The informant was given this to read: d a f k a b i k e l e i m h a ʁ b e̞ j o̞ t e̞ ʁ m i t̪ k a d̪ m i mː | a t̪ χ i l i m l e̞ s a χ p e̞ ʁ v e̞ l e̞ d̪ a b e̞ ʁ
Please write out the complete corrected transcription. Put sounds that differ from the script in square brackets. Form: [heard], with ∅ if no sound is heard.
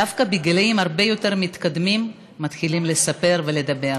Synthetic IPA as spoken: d a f k a b i [ɡ] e l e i m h a ʁ b e̞ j o̞ t e̞ ʁ m i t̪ k a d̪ m i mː | a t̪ χ i l i m l e̞ s a [∅] p e̞ ʁ v e̞ l e̞ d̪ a b e̞ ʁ